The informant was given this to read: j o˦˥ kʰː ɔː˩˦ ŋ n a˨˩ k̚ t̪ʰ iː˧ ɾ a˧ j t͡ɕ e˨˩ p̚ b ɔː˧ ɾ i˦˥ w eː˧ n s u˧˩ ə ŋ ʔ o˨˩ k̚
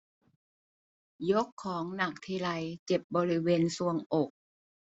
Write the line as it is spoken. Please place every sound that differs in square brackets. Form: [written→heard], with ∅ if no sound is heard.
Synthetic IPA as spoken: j o˦˥ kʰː ɔː˩˦ ŋ n a˨˩ k̚ t̪ʰ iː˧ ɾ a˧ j t͡ɕ e˨˩ p̚ b ɔː˧ ɾ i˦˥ w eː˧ n s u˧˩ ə ŋ ʔ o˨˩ k̚